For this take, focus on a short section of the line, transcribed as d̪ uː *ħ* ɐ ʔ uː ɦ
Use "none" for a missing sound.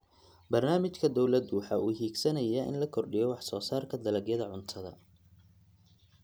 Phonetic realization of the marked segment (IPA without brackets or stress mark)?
ħ